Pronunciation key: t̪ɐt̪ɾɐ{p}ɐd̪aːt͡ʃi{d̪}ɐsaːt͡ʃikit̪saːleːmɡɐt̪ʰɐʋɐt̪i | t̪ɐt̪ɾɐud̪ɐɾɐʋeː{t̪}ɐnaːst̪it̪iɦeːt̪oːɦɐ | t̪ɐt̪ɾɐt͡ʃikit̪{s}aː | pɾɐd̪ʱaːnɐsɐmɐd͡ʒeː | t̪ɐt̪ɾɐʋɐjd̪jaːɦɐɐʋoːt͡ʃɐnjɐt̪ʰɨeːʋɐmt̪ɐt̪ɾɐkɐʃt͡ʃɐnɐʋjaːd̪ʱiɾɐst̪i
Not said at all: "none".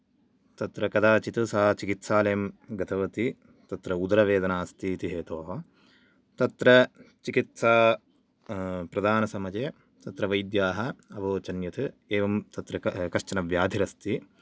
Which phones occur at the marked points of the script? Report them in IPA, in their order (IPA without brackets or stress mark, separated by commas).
k, t̪, d̪, s